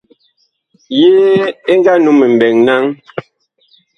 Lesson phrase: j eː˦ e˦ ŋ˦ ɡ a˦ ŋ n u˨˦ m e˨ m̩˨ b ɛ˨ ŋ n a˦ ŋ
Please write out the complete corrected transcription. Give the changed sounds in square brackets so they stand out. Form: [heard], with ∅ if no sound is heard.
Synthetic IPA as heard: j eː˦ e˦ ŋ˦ ɡ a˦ [∅] n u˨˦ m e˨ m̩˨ b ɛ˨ ŋ n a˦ ŋ